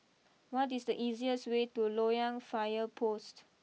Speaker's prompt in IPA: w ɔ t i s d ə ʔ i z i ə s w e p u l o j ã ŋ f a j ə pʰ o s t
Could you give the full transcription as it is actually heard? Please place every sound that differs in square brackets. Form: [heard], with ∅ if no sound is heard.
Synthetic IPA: w ɔ t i s d ə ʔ i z i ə s w e [t] u l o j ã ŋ f a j ə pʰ o s t